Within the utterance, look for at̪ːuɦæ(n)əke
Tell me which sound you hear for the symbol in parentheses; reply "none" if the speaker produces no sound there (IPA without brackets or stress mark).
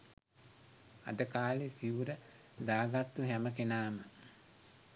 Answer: m